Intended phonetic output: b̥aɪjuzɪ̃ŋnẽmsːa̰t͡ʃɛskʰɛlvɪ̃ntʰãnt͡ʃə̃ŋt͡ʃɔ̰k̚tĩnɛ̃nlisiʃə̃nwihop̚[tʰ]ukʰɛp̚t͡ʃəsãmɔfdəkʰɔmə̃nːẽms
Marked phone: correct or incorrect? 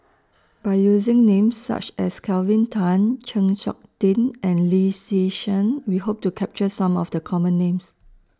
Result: incorrect